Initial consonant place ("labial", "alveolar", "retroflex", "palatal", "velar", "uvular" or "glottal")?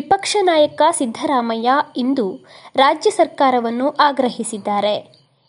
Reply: labial